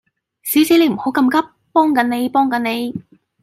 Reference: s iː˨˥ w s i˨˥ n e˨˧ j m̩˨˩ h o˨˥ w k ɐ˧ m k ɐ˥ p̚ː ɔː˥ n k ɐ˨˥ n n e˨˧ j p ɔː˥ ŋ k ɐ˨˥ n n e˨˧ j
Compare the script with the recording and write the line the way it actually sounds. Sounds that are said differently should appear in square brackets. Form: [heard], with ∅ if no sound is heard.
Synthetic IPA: s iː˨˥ w s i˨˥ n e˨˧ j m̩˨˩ h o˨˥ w k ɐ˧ m k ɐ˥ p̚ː ɔː˥ [ŋ] k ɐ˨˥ n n e˨˧ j p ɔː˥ ŋ k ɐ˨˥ n n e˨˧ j